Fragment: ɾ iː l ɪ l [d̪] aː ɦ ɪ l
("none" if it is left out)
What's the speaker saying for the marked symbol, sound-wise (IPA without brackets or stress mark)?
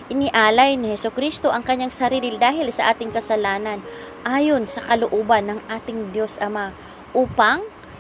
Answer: d̪